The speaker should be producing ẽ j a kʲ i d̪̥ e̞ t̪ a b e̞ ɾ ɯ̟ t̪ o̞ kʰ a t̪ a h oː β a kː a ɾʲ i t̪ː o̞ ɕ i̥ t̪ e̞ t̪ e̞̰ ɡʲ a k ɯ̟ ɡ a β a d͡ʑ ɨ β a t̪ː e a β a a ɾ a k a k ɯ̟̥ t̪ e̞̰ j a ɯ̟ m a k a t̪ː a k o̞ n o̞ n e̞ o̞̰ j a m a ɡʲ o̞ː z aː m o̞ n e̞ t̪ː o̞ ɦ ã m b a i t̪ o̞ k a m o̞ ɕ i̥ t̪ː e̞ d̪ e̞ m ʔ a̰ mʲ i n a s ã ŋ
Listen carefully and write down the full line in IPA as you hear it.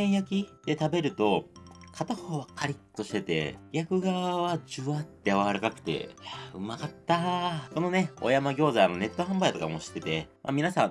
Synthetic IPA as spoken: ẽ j a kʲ i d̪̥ e̞ t̪ a b e̞ ɾ ɯ̟ t̪ o̞ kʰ a t̪ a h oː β a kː a ɾʲ i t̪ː o̞ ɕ i̥ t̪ e̞ t̪ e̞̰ ɡʲ a k ɯ̟ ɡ a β a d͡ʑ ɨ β a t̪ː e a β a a ɾ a k a k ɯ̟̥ t̪ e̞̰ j a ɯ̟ m a k a t̪ː a k o̞ n o̞ n e̞ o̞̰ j a m a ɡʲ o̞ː z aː n o̞ n e̞ t̪ː o̞ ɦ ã m b a i t̪ o̞ k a m o̞ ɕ i̥ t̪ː e̞ t̪ e̞ m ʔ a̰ mʲ i n a s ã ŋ

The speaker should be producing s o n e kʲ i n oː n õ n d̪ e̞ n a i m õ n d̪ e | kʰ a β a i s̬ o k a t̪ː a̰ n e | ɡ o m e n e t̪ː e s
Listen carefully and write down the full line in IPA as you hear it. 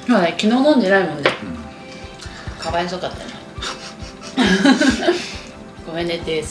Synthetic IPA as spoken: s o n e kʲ i n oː n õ n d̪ e̞ n a i m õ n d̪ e | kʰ a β a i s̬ o k a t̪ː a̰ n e | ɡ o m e n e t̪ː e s

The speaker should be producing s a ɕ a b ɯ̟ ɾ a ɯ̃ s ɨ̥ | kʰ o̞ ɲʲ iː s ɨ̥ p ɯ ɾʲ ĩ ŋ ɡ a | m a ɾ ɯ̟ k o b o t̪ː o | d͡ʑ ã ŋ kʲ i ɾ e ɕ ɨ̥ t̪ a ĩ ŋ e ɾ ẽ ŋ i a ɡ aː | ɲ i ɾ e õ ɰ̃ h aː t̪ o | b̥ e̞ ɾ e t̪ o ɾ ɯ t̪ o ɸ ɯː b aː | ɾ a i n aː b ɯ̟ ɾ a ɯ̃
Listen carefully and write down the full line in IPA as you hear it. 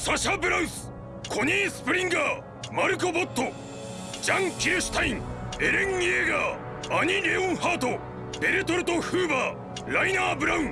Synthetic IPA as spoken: s a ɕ a b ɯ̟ ɾ a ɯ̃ s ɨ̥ | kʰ o̞ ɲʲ iː s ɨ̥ p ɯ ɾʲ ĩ ŋ ɡ a | m a ɾ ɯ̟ k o b o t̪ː o | d͡ʑ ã ŋ kʲ i ɾ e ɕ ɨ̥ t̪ a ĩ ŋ e ɾ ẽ ŋ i e ɡ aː | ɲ i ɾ e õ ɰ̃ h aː t̪ o | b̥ e̞ ɾ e t̪ o ɾ ɯ t̪ o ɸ ɯː b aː | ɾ a i n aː b ɯ̟ ɾ a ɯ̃

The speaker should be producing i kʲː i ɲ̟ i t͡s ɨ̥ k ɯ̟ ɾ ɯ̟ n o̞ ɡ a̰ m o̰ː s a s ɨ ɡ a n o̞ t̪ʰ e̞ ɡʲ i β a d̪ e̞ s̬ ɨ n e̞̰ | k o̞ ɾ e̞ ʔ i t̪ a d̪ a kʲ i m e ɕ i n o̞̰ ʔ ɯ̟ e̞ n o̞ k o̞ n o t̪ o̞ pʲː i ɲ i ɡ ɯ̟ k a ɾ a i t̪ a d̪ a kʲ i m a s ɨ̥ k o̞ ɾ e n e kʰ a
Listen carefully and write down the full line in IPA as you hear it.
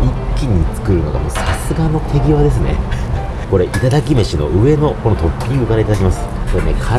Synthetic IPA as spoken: i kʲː i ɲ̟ i t͡s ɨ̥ k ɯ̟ ɾ ɯ̟ n o̞ ɡ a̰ m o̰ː s a s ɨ ɡ a n o̞ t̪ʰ e̞ ɡʲ i β a d̪ e̞ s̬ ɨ n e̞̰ | k o̞ ɾ e̞ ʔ i t̪ a d̪ a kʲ i m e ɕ i n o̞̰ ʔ ɯ̟ e̞ n o̞ k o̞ n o t̪ o̞ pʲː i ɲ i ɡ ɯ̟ k a ɾ a i t̪ a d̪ a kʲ i m a s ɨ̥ k o̞ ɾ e n e kʰ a

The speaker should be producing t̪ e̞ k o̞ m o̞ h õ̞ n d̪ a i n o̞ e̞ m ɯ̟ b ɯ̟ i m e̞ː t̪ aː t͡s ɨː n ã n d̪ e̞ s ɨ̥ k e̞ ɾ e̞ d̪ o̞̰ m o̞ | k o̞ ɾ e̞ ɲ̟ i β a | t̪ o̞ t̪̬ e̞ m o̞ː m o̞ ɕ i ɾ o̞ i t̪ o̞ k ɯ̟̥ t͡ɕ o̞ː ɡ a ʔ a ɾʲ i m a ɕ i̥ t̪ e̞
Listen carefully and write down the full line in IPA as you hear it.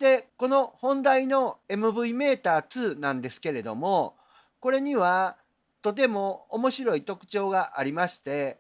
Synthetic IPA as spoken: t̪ e̞ k o̞ n o̞ h õ̞ n d̪ a i n o̞ e̞ m ɯ̟ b ɯ̟ i m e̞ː t̪ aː t͡s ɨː n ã n d̪ e̞ s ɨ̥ k e̞ ɾ e̞ d̪ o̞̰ m o̞ | k o̞ ɾ e̞ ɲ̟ i β a | t̪ o̞ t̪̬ e̞ m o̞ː m o̞ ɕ i ɾ o̞ i t̪ o̞ k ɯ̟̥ t͡ɕ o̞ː ɡ a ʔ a ɾʲ i m a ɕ i̥ t̪ e̞

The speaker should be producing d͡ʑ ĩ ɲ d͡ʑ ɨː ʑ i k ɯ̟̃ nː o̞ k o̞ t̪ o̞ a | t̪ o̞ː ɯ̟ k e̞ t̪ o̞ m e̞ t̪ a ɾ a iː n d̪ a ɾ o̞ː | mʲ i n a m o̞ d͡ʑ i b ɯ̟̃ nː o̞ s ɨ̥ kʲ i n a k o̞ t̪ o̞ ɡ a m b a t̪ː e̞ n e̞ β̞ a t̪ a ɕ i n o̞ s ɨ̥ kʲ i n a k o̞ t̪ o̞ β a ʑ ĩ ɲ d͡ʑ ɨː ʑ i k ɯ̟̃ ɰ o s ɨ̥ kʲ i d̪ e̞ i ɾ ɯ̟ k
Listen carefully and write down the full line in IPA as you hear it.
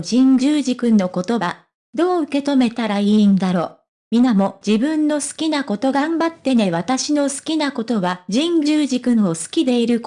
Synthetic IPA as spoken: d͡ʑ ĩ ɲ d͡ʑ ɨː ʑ i k ɯ̟̃ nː o̞ k o̞ t̪ o̞ a | d̪ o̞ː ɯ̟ k e̞ t̪ o̞ m e̞ t̪ a ɾ a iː n d̪ a ɾ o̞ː | mʲ i n a m o̞ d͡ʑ i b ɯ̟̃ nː o̞ s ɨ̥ kʲ i n a k o̞ t̪ o̞ ɡ a m b a t̪ː e̞ n e̞ β̞ a t̪ a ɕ i n o̞ s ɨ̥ kʲ i n a k o̞ t̪ o̞ β a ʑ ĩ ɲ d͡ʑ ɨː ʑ i k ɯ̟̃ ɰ o s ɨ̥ kʲ i d̪ e̞ i ɾ ɯ̟ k

